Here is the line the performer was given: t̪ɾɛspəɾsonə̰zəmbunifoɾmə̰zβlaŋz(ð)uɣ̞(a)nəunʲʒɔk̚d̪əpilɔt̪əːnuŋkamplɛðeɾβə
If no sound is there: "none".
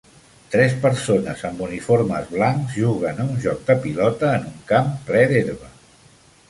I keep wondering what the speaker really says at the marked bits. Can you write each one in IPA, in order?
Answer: ʒ, ə

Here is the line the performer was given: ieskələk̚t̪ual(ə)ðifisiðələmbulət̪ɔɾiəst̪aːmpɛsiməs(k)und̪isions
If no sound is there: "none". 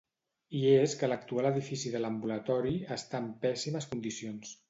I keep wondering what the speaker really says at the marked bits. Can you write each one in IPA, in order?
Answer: ə, k

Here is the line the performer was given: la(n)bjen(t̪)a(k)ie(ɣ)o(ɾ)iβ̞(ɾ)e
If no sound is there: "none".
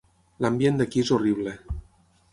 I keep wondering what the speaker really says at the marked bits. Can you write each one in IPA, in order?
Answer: m, d̪, k, z, r, l

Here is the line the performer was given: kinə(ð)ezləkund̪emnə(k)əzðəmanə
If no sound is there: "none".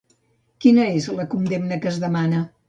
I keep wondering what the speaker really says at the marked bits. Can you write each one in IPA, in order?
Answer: none, k

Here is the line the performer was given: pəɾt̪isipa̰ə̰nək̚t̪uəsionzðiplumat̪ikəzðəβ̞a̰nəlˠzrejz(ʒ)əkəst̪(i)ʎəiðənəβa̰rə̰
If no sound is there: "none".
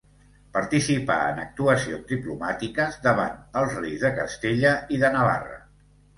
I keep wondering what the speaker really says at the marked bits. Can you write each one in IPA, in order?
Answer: ð, e

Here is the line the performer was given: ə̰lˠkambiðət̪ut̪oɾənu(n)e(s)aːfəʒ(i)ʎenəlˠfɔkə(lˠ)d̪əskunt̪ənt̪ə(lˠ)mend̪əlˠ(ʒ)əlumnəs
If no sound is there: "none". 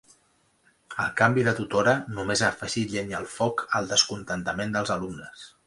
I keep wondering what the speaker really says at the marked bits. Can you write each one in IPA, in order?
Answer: m, z, i, lˠ, none, z

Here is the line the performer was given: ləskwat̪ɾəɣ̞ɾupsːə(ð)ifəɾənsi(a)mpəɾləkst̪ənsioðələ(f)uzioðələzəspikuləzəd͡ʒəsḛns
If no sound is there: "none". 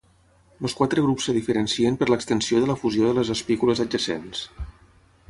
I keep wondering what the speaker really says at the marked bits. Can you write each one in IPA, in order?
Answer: ð, ə, f

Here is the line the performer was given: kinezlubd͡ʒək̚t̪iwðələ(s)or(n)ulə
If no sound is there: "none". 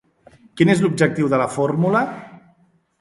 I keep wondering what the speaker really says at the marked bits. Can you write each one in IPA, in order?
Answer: f, m

